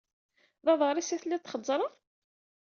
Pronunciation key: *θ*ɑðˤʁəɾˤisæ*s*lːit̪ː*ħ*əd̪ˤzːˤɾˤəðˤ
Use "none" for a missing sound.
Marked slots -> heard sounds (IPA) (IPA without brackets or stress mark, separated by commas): ð, θ, χ